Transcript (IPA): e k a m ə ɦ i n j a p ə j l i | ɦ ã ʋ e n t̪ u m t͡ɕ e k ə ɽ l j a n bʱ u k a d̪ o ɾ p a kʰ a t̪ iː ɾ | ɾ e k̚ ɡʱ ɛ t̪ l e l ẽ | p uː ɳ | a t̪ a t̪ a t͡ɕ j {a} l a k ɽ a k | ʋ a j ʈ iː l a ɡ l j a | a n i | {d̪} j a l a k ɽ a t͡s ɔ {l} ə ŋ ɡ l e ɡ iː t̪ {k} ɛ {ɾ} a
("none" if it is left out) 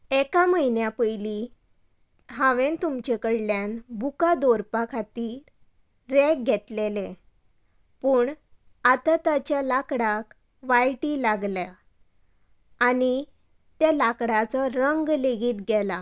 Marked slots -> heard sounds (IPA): a, t̪, ɾ, ɡ, l

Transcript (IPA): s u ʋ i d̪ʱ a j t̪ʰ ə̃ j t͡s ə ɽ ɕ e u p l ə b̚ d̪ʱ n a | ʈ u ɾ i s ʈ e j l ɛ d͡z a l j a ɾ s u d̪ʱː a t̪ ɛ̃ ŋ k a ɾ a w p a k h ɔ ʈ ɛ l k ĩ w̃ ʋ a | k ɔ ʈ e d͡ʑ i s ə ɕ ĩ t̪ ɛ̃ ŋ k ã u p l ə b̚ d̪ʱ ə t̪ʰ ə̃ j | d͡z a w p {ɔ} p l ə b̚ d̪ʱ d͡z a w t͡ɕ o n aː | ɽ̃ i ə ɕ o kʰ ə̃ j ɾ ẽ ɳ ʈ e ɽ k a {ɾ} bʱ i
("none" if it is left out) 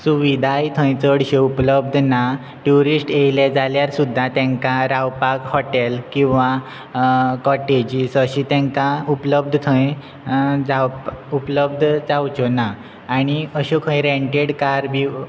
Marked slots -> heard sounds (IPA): u, ɾ

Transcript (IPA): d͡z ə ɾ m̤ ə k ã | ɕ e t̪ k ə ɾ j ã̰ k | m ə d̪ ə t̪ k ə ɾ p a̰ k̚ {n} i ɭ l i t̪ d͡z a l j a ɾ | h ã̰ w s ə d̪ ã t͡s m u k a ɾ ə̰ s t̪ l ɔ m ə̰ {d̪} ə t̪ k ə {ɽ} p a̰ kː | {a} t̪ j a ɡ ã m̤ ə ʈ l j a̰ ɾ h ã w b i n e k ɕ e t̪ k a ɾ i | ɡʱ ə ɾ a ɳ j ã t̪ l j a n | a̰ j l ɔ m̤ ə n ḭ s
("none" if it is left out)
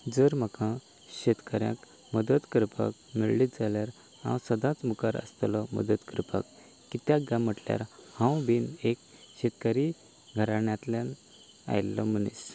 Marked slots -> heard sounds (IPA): m, d̪, ɾ, i

